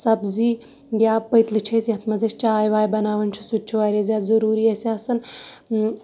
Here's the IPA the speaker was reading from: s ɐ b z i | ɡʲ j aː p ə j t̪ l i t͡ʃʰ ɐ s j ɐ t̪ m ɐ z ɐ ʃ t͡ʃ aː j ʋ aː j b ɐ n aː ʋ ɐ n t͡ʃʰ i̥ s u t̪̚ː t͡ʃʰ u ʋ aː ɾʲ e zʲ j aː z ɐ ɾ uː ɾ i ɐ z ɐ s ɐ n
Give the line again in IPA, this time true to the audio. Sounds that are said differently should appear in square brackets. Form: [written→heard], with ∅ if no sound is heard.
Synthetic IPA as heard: s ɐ b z i | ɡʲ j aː p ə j t̪ l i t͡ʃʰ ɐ s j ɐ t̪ m ɐ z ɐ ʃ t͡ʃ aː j ʋ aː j b ɐ n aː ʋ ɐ n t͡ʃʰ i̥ s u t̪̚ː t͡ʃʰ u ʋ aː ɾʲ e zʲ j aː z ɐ ɾ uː ɾ i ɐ [z→s] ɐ s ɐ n